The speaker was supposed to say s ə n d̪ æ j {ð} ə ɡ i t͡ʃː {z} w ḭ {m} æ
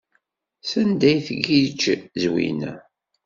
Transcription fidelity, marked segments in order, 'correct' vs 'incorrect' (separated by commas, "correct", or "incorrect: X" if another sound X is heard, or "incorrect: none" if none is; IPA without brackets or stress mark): incorrect: θ, correct, incorrect: n